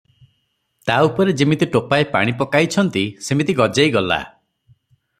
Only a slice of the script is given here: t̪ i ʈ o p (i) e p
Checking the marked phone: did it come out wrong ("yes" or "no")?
yes